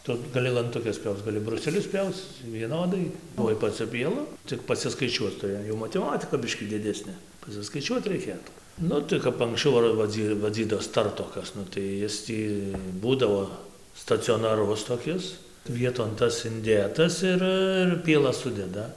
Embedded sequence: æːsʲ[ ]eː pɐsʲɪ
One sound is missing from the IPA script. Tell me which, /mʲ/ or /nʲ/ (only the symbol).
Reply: nʲ